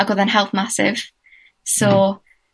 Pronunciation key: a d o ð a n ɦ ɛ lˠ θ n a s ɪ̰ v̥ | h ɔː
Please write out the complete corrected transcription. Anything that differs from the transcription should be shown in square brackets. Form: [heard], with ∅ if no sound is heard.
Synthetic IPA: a [ɡ] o ð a n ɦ ɛ lˠ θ [m] a s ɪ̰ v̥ | [s] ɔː